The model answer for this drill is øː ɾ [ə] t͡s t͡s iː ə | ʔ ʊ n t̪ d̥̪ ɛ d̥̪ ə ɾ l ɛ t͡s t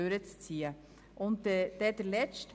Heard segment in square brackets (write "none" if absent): ə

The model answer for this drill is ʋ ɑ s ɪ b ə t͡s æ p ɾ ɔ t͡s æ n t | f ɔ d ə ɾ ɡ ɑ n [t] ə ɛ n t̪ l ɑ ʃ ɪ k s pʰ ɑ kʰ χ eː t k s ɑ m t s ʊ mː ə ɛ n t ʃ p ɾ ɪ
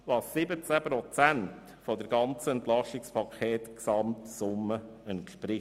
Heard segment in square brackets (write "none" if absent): t͡s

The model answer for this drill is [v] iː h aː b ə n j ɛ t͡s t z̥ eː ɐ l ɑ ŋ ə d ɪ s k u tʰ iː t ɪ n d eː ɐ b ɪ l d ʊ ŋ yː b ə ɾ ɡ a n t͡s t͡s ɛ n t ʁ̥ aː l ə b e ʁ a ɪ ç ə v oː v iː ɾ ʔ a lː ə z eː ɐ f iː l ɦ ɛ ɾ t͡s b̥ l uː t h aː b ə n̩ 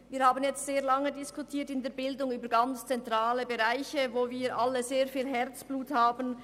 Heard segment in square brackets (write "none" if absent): v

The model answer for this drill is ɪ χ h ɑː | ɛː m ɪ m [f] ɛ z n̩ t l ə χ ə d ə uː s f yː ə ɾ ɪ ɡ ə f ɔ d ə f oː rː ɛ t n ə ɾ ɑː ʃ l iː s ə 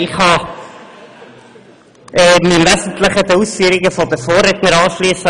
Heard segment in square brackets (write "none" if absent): v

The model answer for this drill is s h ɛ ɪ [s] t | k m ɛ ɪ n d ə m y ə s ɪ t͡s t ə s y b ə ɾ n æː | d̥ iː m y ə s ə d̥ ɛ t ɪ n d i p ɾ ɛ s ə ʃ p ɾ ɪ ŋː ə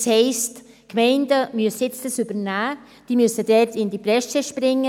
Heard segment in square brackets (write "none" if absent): s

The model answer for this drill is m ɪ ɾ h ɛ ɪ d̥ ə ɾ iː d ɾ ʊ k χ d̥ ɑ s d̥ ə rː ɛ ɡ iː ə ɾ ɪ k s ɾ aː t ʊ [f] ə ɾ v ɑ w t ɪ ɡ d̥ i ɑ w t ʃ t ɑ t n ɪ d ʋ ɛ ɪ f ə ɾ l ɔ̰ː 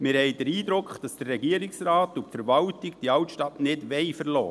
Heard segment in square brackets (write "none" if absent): f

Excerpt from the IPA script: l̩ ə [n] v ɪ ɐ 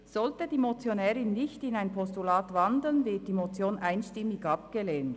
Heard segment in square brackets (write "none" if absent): n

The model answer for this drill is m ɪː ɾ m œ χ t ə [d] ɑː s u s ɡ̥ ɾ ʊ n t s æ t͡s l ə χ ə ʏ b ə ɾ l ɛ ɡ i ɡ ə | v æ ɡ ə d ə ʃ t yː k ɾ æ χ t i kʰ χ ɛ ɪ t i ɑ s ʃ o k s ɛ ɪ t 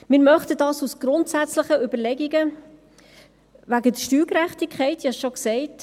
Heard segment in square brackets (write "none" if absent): d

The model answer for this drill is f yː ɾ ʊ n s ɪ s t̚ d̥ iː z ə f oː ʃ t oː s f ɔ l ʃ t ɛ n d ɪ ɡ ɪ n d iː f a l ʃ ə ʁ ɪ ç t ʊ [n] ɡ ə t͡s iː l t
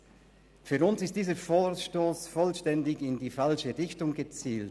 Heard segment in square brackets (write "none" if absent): ŋ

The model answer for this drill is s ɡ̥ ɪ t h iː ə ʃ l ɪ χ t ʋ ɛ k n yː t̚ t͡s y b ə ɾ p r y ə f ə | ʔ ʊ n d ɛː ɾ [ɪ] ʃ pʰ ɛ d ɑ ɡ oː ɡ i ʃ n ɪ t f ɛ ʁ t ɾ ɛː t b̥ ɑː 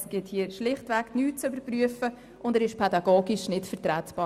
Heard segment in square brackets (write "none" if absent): ɪ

